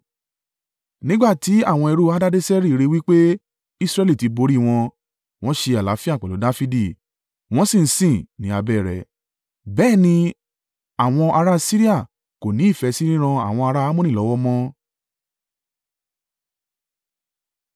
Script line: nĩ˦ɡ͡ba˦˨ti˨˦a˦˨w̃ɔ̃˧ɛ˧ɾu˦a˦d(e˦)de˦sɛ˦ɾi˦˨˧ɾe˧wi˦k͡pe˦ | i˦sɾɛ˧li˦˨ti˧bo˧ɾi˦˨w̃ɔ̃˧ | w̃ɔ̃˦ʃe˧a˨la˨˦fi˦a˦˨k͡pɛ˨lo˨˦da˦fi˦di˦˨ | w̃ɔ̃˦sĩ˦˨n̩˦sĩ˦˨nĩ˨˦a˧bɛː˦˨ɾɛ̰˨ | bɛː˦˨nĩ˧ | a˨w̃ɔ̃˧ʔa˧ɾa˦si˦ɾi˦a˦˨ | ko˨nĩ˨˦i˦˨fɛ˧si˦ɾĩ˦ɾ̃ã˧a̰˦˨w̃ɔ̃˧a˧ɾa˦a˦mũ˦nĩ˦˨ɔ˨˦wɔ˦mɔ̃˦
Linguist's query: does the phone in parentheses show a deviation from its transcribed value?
yes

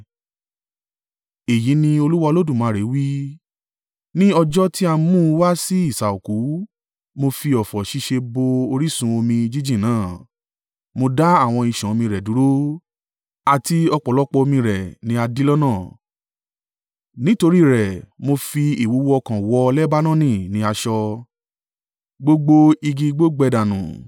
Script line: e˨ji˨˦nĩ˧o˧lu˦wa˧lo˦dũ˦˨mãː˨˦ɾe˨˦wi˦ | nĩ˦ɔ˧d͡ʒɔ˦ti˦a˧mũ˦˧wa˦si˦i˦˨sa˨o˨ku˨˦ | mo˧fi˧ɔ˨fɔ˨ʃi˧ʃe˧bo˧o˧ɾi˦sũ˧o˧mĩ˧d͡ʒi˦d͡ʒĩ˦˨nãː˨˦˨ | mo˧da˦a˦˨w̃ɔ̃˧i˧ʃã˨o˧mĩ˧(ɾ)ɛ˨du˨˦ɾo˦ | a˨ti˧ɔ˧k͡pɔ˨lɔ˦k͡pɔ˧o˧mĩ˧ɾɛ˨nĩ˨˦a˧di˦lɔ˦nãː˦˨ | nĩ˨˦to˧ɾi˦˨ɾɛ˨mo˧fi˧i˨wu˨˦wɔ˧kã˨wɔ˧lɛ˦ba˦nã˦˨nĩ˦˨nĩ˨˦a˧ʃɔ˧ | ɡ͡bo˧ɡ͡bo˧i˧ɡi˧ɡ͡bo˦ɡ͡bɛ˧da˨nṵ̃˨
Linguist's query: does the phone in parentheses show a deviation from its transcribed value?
no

